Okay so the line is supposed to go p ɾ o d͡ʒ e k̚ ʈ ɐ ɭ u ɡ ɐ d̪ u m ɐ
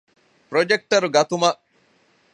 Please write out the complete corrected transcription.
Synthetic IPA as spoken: p ɾ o d͡ʒ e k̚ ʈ ɐ ɾ u ɡ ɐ t̪ u m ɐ